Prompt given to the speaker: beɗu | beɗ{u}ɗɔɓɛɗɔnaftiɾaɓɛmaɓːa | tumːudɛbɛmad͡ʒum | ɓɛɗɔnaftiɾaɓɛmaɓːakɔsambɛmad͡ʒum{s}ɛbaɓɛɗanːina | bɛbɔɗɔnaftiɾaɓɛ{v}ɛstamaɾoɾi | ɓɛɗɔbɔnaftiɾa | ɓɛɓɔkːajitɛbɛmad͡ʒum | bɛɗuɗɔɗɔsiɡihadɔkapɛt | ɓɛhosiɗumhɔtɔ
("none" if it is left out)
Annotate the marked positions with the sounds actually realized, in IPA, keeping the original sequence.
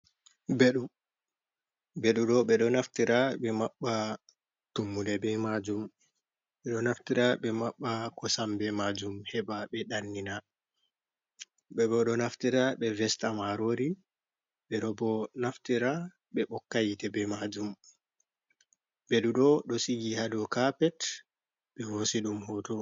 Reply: u, h, v

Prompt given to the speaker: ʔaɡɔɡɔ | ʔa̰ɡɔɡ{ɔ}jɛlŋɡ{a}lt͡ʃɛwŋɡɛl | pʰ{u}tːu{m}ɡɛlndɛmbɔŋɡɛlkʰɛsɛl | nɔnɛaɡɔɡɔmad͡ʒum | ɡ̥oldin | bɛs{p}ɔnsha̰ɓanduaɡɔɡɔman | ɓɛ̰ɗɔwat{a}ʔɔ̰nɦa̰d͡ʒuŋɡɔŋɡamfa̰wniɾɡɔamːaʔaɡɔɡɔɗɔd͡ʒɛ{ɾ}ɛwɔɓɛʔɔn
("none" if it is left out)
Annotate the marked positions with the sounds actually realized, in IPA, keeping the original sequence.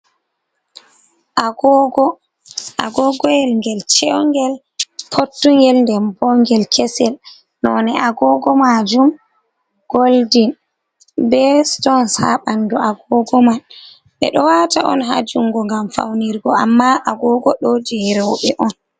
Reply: ɔ, ɛ, o, ŋ, t, a, ɾ

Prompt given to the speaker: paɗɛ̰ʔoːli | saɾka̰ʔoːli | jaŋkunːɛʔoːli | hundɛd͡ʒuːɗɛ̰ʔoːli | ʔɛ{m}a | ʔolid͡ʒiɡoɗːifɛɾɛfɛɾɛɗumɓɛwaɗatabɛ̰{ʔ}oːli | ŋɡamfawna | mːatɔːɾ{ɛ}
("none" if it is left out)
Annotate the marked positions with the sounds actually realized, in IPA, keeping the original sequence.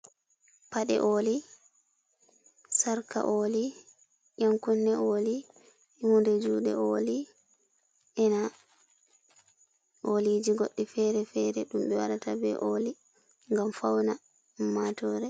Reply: n, ʔ, ɛ

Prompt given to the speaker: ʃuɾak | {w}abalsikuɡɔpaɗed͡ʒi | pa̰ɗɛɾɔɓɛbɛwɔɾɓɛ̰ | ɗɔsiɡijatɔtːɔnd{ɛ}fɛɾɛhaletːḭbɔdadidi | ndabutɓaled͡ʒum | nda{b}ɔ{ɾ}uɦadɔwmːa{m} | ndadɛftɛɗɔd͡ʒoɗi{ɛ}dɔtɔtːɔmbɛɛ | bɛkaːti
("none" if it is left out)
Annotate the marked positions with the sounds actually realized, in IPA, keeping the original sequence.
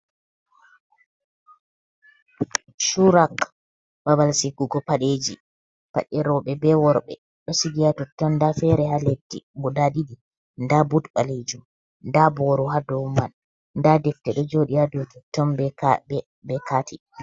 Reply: b, a, b, ɾ, n, a

